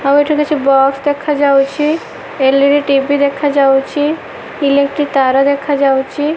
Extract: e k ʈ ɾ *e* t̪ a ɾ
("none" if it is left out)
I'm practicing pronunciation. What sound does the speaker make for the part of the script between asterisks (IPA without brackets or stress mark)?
i